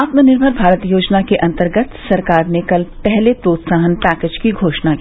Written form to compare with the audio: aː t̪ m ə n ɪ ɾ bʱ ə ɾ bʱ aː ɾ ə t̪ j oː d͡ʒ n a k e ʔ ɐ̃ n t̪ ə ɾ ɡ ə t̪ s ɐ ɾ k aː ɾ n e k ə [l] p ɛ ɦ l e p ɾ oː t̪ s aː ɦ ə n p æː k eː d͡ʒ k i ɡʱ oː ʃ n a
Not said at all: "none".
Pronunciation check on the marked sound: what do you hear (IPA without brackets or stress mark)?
l